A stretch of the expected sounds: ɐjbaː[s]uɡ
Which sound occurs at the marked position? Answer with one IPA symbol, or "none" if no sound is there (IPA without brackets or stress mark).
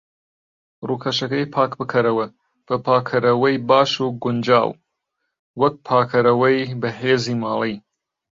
ʃ